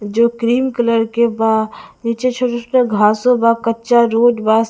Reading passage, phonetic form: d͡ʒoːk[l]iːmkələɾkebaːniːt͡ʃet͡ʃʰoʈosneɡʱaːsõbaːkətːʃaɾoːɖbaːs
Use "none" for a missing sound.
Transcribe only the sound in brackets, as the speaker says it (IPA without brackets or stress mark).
ɾ